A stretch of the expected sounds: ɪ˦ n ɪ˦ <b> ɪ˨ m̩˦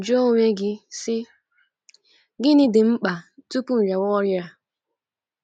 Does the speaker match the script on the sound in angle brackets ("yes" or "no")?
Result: no